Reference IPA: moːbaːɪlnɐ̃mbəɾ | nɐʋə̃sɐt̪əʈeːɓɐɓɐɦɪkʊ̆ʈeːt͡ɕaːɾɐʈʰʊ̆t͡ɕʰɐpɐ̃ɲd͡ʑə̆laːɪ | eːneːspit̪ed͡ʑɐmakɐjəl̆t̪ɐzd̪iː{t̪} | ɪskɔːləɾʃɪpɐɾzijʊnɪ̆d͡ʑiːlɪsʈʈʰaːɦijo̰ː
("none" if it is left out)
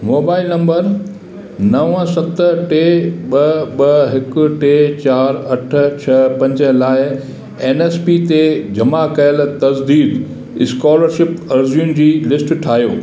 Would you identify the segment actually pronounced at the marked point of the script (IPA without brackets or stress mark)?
d̪